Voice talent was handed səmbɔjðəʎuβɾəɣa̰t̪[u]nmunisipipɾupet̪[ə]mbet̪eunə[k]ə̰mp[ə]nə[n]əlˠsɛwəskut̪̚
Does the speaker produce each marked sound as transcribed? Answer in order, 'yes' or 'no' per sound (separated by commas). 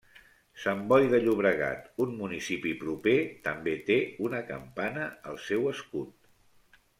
yes, yes, yes, no, no